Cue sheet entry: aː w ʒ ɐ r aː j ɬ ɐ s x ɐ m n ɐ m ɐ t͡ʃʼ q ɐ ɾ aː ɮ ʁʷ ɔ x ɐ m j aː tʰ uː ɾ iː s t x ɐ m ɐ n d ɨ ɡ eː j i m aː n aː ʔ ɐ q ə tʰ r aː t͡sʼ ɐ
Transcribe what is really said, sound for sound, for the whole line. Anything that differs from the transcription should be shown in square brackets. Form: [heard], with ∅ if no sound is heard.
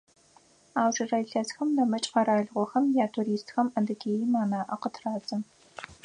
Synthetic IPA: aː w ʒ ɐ r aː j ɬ ɐ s x ɐ m n ɐ m ɐ t͡ʃʼ q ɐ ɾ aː ɮ ʁʷ ɔ x ɐ m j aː tʰ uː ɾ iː s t x ɐ m ɐ n d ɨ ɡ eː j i m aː n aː ʔ ɐ q ə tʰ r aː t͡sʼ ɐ